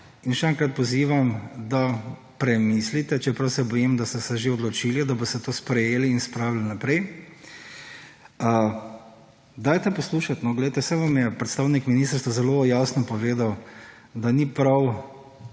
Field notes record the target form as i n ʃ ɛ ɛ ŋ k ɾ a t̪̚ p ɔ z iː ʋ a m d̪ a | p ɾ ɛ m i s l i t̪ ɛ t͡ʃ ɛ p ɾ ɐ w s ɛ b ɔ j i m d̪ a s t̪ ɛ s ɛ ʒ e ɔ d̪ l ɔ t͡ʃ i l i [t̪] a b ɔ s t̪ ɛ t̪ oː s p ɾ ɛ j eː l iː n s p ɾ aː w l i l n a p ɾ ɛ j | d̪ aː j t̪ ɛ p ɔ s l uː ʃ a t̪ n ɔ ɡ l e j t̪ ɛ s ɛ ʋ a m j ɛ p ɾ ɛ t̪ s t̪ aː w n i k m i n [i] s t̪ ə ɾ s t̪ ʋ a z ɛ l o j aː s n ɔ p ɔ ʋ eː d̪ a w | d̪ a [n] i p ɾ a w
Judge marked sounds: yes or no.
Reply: no, yes, yes

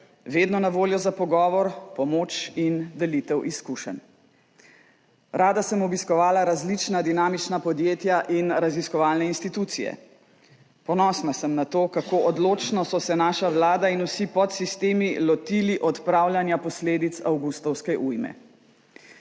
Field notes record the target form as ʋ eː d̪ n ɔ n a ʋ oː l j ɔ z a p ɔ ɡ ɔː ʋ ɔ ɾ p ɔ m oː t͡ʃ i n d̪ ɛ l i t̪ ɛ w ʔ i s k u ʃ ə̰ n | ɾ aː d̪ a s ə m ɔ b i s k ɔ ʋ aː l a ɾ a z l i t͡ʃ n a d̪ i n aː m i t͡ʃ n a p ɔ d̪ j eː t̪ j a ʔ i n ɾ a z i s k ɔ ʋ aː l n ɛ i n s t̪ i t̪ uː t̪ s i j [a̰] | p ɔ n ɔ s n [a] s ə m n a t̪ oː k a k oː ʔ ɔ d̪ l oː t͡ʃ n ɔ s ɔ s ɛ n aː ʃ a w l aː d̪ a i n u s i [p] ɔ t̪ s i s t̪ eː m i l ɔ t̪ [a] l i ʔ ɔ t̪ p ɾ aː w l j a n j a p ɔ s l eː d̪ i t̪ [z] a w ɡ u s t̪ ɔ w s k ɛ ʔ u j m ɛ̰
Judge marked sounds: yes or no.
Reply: no, yes, yes, no, no

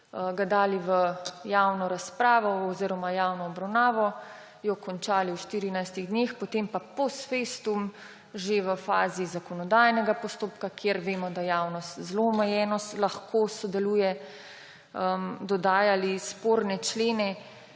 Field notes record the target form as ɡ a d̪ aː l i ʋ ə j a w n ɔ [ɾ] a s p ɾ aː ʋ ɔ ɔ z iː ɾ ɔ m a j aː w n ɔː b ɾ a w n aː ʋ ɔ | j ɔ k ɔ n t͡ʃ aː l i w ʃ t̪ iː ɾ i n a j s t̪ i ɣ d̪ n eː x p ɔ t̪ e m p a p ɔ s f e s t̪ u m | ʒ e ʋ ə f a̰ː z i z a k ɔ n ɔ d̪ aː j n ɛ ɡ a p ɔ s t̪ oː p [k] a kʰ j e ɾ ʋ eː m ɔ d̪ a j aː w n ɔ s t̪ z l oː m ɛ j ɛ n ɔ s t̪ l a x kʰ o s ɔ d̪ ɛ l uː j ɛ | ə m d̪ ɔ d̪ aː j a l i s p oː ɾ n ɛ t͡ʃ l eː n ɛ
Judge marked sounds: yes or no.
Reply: yes, yes

